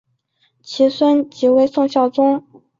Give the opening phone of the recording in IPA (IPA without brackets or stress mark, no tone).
t͡ɕʰ